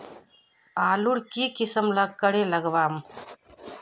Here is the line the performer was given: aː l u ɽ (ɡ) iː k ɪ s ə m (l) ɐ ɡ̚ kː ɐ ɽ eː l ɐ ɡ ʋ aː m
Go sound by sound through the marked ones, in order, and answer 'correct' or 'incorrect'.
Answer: incorrect: k, correct

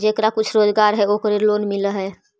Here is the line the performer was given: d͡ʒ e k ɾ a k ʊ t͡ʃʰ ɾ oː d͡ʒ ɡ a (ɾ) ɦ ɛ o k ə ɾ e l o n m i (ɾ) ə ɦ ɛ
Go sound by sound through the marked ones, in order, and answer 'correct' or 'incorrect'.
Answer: correct, incorrect: l

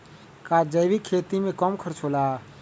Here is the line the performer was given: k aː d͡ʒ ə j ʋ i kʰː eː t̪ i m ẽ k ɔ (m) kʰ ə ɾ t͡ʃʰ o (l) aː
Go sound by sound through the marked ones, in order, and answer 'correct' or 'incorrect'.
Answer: correct, correct

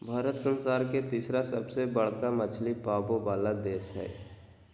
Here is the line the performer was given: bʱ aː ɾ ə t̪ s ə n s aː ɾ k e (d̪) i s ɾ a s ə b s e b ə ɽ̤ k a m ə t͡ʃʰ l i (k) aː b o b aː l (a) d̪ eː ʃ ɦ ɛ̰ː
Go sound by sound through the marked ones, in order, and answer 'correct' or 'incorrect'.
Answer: incorrect: t̪, incorrect: p, correct

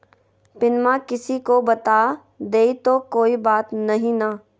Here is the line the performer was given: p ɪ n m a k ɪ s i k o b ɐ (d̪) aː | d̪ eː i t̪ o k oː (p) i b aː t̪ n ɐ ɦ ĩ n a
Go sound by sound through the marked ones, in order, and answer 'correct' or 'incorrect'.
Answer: incorrect: t̪, incorrect: none

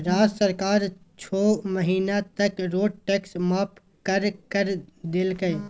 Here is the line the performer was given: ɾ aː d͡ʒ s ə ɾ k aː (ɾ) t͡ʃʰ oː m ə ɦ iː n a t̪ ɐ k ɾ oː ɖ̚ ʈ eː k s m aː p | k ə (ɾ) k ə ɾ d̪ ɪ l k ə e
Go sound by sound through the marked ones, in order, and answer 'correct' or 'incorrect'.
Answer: correct, correct

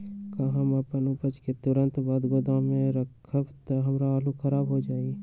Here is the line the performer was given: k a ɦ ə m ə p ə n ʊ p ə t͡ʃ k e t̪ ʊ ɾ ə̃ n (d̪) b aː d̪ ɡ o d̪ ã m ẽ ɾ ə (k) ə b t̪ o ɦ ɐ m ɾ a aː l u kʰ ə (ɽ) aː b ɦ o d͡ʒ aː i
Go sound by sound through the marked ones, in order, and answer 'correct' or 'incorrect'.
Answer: incorrect: t̪, incorrect: kʰ, incorrect: ɾ

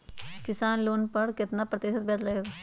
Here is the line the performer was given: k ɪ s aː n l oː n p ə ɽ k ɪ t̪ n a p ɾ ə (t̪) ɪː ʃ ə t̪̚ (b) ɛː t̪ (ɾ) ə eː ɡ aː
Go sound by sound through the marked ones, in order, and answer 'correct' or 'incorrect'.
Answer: correct, correct, incorrect: l

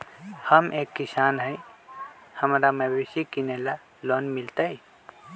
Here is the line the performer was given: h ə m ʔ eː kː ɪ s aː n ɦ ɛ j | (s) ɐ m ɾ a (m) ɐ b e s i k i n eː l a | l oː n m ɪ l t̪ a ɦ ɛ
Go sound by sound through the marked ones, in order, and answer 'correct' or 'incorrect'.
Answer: incorrect: h, correct

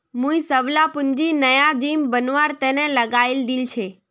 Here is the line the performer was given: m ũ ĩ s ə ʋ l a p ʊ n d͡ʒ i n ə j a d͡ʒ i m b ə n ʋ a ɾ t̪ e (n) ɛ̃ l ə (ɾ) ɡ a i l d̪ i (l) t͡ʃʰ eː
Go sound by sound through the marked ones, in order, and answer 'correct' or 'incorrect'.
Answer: correct, incorrect: none, correct

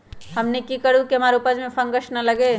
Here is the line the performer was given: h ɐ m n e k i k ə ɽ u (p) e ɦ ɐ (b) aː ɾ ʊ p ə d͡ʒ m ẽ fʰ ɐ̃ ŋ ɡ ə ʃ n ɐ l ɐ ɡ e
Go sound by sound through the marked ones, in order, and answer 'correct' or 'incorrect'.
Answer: incorrect: k, incorrect: m

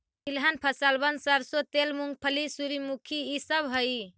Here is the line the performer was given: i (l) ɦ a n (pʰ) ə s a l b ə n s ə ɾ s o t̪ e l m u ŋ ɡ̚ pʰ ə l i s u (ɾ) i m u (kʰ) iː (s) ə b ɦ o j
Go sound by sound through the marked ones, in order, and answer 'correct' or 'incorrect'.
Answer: correct, correct, correct, correct, correct

